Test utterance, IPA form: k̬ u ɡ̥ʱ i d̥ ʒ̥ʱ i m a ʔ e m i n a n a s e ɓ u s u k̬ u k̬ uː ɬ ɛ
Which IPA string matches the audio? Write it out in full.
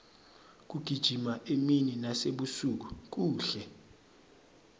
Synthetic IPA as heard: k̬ u ɡ̥ʱ i d̥ ʒ̥ʱ i m a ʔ e m i n i n a s e ɓ u s u k̬ u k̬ uː ɬ ɛ

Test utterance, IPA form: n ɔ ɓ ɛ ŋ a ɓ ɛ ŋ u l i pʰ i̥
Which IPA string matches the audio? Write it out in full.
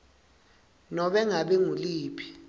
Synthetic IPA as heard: n ɔ ɓ ɛ ŋ a ɓ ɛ ŋ u l iː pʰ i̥

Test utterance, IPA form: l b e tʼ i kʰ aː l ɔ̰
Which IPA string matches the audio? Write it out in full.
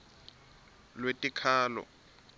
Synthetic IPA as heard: l w e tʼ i kʰ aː l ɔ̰

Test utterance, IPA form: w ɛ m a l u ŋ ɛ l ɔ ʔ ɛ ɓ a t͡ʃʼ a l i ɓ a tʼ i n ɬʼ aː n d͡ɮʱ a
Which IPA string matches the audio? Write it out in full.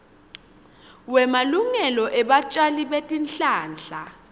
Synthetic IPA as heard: w ɛ m a l u ŋ ɛ l ɔ ʔ ɛ ɓ a t͡ʃʼ a l i ɓ e tʼ i n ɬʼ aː n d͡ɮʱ a

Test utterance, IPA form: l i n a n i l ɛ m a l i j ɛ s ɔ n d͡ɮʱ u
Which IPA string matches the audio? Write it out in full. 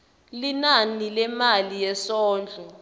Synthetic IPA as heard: l i n a n i l ɛ m a l i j ɛ s ɔː n d͡ɮʱ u

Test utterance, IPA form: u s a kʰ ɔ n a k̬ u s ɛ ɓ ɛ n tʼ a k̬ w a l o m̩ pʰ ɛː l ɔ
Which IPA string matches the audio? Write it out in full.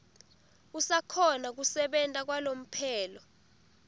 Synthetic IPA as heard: u s a kʰ ɔ n a k̬ u s ɛ ɓ ɛ n tʼ a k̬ w a l o m̩ pʰ ɛː l ɔ

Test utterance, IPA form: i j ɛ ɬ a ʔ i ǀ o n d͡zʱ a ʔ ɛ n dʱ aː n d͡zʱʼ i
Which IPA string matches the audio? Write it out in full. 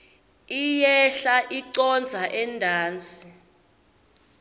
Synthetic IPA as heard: i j ɛ ɬ a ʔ i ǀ ɔ n d͡zʱ a ʔ ɛ n dʱ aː n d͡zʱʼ i

